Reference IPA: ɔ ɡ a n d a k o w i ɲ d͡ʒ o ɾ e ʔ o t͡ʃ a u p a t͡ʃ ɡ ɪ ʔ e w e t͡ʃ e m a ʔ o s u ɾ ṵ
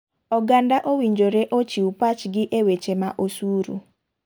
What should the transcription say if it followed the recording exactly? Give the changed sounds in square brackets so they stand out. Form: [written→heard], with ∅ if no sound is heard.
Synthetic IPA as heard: ɔ ɡ a n d a [k→ʔ] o w i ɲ d͡ʒ o ɾ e ʔ o t͡ʃ [a→i] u p a t͡ʃ ɡ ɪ ʔ e w e t͡ʃ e m a ʔ o s u ɾ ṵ